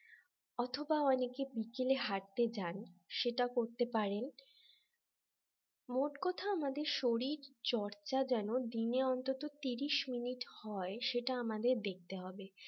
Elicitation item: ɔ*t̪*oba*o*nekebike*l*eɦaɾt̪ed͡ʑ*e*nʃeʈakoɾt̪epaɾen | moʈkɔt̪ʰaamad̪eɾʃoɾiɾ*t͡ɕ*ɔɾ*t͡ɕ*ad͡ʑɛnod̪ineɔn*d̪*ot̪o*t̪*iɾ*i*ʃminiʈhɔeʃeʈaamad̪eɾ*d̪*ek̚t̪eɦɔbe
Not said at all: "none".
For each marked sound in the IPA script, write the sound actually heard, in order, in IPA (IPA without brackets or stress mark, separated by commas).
t̪ʰ, ɔ, l, a, t͡ɕ, t͡ɕ, t̪, t̪, i, d̪